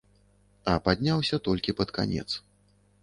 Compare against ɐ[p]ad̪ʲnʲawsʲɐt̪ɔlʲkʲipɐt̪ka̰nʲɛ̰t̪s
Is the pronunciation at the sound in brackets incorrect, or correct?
correct